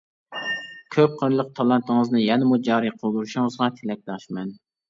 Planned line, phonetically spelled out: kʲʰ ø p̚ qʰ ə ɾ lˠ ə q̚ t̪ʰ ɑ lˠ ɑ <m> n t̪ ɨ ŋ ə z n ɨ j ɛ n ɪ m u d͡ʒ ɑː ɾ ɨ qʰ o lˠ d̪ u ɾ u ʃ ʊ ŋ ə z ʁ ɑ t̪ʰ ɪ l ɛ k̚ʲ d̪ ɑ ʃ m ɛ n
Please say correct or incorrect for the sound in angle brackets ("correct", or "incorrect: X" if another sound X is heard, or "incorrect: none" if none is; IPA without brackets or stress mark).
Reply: incorrect: none